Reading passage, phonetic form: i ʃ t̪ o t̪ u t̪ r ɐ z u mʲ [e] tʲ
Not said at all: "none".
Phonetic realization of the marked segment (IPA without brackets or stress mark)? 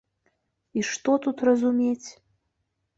e